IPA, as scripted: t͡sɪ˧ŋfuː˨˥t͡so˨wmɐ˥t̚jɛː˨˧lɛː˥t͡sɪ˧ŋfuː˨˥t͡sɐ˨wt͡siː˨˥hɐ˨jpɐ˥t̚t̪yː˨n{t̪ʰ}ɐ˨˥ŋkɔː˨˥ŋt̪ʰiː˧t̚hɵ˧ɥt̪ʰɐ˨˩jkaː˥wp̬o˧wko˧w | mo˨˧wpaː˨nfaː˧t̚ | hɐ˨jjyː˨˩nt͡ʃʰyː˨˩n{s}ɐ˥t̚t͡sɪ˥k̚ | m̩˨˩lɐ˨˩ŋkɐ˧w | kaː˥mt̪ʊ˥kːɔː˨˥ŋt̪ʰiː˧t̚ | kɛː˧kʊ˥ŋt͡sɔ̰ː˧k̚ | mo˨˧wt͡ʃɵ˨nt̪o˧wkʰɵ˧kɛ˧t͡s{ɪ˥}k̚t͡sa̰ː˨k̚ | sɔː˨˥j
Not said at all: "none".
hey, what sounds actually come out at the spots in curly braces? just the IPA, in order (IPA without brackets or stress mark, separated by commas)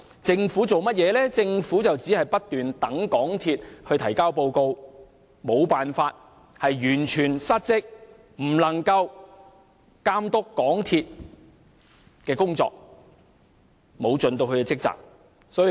t̪, s, ɪ˥